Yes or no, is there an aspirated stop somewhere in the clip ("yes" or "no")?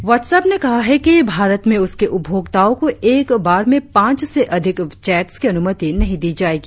no